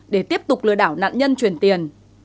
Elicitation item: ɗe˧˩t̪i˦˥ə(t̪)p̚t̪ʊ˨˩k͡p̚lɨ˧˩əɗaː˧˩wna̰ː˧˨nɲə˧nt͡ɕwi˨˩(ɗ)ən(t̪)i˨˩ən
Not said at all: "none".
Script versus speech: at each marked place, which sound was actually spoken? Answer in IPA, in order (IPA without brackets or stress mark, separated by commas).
none, none, t̪